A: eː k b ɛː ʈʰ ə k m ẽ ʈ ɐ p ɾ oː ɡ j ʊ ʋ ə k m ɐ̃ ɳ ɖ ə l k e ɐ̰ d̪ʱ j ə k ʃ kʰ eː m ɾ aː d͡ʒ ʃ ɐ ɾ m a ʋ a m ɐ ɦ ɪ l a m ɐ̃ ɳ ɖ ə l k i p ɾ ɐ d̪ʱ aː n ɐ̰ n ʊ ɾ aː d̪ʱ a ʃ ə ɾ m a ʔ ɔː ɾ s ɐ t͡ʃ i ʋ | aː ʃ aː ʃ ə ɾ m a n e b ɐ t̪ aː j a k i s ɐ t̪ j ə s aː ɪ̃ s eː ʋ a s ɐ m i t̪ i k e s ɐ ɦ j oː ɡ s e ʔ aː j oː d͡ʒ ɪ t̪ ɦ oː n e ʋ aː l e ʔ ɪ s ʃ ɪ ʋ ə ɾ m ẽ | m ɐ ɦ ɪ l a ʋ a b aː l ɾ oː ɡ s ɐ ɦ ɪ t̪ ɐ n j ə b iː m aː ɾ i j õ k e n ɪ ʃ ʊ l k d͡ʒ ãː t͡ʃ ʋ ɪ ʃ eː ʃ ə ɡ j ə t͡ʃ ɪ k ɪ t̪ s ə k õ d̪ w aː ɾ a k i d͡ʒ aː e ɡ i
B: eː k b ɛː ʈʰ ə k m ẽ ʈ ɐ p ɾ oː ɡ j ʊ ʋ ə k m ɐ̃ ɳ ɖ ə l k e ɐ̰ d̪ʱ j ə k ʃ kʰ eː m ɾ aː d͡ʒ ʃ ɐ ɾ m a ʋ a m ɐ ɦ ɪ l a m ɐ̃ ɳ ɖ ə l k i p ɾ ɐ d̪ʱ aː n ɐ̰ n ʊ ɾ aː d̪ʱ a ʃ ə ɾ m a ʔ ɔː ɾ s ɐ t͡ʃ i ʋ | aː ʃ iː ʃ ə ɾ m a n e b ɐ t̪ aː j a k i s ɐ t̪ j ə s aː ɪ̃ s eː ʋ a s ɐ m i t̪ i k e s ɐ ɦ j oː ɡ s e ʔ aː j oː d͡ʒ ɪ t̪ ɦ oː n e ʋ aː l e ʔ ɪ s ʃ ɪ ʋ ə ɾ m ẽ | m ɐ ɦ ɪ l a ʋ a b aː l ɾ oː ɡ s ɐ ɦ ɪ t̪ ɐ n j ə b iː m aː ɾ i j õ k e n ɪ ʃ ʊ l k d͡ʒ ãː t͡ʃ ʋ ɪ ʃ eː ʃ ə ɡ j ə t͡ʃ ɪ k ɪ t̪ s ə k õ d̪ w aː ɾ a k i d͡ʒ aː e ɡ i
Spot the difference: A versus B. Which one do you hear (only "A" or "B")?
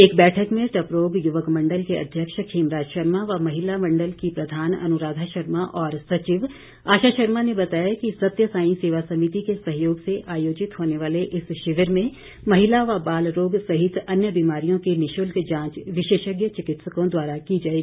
A